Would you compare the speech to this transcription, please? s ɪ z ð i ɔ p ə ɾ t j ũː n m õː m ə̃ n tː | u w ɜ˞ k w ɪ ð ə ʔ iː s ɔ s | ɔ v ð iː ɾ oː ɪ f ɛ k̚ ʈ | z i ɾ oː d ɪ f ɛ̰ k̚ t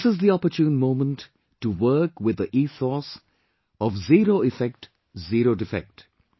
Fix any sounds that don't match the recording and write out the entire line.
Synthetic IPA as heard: s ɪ z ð i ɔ p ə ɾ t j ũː n m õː m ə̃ n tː | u w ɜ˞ k w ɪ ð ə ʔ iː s ɔ s | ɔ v z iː ɾ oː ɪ f ɛ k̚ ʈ | z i ɾ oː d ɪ f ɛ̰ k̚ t